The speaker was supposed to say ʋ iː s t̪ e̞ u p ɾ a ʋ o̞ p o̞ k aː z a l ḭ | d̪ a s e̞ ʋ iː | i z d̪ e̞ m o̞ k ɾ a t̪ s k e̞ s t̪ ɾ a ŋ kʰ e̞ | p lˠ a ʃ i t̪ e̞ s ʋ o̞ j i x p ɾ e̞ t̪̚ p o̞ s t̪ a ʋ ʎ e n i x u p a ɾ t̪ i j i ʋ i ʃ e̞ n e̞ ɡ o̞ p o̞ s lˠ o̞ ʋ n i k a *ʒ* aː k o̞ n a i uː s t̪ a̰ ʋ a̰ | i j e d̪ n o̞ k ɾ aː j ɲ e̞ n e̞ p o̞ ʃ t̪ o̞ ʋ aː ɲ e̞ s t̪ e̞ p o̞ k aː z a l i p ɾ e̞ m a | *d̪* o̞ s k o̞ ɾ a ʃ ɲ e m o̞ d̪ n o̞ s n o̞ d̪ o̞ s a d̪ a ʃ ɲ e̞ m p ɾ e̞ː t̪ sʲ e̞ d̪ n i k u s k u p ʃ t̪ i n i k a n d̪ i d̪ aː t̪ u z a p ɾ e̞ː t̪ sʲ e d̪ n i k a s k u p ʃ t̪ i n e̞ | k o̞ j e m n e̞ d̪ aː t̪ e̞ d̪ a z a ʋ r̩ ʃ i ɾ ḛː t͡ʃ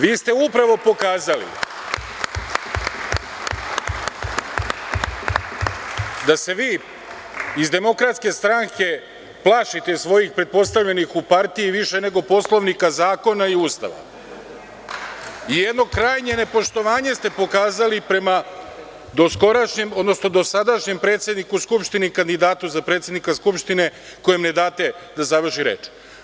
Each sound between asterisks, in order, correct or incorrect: incorrect, correct

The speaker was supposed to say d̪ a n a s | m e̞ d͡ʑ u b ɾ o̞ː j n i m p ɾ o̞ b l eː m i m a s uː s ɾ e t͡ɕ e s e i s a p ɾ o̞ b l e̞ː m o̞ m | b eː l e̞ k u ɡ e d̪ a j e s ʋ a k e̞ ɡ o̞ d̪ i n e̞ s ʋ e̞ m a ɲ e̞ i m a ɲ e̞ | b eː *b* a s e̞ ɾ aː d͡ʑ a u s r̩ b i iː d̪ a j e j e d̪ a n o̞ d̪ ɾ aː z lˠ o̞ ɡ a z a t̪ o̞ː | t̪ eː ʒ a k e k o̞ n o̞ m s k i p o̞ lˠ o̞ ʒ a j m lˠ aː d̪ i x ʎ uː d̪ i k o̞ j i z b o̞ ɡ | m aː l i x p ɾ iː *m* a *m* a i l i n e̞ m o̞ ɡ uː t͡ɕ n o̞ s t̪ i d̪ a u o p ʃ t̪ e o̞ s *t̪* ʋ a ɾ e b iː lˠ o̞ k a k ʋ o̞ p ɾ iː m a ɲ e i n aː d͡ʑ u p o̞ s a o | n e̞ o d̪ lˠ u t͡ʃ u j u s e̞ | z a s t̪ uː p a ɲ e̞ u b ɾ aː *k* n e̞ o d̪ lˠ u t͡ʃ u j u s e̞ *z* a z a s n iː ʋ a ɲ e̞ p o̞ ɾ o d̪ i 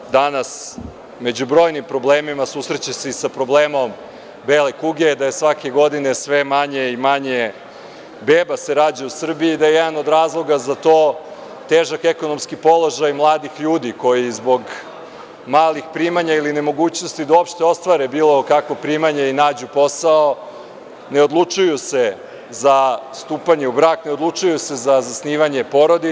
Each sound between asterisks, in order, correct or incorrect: correct, correct, incorrect, correct, correct, correct

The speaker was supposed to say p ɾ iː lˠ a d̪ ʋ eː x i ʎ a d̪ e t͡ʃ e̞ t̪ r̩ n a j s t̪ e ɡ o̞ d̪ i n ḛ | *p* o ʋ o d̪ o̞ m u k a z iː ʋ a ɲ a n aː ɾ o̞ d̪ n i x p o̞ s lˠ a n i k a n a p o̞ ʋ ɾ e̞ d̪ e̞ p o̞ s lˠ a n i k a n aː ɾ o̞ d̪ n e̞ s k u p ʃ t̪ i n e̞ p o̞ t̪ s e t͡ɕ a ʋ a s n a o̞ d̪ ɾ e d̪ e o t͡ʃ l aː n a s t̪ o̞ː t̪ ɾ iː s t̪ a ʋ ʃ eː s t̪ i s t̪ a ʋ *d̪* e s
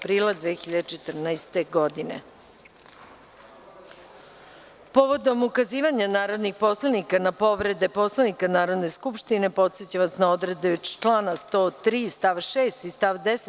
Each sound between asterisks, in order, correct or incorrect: correct, correct

